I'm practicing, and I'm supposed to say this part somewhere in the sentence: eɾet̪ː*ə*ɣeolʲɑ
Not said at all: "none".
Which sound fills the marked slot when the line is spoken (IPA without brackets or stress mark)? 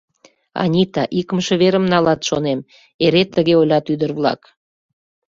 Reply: ə